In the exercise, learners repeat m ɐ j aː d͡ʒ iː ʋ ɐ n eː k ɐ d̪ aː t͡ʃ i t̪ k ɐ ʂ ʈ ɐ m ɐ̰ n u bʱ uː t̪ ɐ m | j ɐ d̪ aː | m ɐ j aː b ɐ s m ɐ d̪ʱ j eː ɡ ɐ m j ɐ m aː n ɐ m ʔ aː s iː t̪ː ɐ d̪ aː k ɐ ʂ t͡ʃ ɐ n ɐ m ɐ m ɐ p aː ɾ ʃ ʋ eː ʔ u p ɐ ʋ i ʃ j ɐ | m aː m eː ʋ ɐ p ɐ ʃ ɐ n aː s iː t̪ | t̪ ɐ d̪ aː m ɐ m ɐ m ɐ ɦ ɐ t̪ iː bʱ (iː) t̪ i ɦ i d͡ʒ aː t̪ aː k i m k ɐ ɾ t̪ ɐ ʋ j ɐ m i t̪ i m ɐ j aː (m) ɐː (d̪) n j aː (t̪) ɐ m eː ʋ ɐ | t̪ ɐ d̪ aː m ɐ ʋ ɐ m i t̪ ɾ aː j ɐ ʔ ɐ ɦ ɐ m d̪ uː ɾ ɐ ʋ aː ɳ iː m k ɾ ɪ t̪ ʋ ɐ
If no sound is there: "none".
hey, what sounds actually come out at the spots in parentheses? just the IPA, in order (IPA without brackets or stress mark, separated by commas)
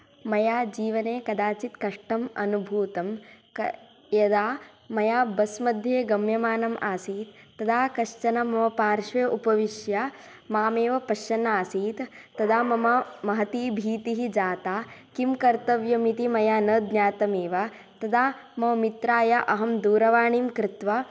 iː, n, d̪, t̪